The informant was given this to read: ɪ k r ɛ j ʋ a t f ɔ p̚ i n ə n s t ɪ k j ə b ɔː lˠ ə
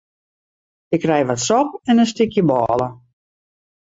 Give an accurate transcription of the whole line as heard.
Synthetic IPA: ɪ k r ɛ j ʋ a t s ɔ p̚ ɛ n ə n s t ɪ k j ə b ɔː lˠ ə

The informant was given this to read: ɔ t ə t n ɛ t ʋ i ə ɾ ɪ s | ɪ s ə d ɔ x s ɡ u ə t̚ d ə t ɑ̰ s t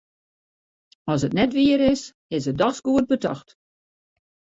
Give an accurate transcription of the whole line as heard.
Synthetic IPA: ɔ s ə t n ɛ t ʋ i ə ɾ ɪ s | ɪ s ə d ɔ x s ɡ u ə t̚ b ə t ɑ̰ x t

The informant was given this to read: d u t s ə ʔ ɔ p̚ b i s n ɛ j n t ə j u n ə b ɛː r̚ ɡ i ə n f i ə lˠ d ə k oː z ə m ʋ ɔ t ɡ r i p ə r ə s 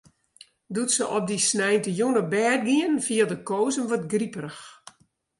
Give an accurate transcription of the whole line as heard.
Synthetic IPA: d u t s ə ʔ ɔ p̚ d i s n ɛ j n t ə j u n ə b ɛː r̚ ɡ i ə n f i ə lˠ d ə k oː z ə n ʋ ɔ t ɡ r i p ə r ə x

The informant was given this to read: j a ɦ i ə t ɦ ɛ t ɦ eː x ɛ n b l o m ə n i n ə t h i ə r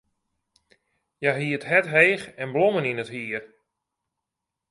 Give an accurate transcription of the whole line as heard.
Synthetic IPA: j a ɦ i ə t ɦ ɛ t ɦ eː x ɛ n b l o m ə n i n ə t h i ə r

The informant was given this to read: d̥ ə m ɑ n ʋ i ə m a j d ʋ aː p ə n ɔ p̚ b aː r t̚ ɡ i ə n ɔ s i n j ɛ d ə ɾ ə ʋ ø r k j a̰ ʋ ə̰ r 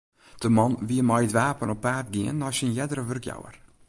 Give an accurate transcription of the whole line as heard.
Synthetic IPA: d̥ ə m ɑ n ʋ i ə m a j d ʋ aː p ə n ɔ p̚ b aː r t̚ ɡ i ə n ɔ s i n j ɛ d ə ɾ ə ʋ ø r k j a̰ w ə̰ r

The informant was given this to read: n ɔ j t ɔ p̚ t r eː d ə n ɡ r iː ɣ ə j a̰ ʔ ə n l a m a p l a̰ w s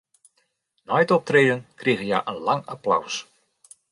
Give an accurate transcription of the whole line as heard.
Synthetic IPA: n ɔ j t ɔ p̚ t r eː d ə n k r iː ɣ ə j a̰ ʔ ə n l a ŋ a p l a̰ w s

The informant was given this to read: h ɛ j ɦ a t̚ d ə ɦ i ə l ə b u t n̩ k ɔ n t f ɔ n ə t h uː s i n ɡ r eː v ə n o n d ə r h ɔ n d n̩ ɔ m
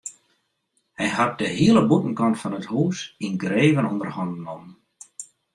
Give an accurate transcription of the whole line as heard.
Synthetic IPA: h ɛ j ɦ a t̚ d ə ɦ i ə l ə b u t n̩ k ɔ n t f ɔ n ə t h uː s i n ɡ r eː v ə n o n d ə r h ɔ n d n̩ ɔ m

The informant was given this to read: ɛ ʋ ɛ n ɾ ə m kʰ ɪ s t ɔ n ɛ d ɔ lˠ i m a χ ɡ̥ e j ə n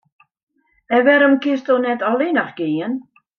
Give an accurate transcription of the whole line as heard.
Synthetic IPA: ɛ v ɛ ɾ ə m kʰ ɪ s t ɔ n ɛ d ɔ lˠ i n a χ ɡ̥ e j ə n

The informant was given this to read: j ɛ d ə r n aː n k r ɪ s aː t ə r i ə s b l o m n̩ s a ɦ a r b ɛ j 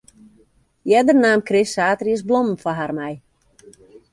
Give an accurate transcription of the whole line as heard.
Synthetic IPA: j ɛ d ə r n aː m k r ɪ s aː t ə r i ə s b l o m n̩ f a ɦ a r m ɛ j

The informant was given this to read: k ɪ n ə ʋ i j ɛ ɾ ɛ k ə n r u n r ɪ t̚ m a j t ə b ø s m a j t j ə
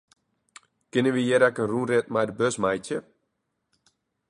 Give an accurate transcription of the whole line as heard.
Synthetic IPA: k ɪ n ə ʋ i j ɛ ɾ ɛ k ə n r u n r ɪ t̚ m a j d ə b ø s m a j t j ə

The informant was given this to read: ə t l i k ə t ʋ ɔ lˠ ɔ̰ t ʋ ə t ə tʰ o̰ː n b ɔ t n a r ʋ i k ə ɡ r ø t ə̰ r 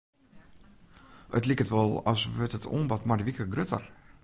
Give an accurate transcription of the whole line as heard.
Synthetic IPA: ə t l i k ə t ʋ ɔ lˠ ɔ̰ s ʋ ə t ə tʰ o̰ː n b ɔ t m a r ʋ i k ə ɡ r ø t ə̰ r

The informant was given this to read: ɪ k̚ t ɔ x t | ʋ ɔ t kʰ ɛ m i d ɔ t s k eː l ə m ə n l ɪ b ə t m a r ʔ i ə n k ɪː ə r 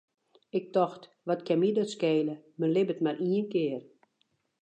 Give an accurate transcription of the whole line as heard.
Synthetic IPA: ɪ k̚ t ɔ x t | ʋ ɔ t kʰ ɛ m i d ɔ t s k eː l ə m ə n l ɪ b ə t m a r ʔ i ə n k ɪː ə r

